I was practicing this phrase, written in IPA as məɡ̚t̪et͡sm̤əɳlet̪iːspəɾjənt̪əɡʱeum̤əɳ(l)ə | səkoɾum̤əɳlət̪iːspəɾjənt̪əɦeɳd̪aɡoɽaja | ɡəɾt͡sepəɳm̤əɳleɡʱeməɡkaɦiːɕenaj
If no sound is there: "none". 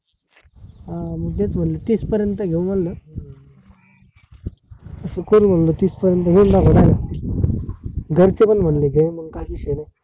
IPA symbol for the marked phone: l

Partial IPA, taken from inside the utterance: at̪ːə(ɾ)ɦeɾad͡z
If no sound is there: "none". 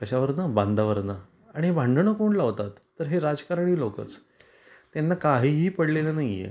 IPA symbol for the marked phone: ɾ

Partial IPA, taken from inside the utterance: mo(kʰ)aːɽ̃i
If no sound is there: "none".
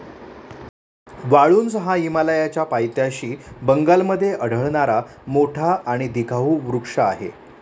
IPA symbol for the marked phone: ʈʰ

